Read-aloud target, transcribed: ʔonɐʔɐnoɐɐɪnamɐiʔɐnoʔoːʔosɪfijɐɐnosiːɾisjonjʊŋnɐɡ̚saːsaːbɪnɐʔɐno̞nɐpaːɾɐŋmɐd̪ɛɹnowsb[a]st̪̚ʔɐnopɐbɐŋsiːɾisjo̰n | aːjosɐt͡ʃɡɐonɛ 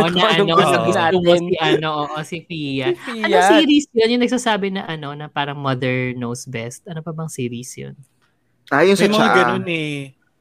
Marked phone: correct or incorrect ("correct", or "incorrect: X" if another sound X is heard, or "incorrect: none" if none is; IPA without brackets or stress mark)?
incorrect: ɛ